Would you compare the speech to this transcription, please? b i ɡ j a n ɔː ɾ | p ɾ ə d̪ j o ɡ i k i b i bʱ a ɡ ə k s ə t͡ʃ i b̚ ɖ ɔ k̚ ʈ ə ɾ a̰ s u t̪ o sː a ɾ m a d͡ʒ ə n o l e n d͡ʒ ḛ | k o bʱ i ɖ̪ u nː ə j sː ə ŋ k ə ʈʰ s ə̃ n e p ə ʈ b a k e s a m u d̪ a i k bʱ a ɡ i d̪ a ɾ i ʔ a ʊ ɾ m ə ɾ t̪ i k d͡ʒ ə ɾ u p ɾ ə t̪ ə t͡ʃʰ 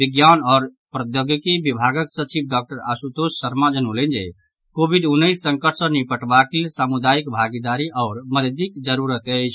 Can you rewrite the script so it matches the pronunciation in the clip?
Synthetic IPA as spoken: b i ɡ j a n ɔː ɾ | p ɾ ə d̪ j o ɡ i k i b i bʱ a ɡ ə k s ə t͡ʃ i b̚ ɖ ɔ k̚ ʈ ə ɾ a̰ s u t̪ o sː ə ɾ m a d͡ʒ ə n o l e n d͡ʒ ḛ | k o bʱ i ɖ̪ u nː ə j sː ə ŋ k ə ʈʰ s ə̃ n i p ə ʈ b a k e s a m u d̪ a i k bʱ a ɡ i d̪ a ɾ i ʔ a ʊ ɾ m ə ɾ d̪ i k d͡ʒ ə ɾ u ɾ ə t̪ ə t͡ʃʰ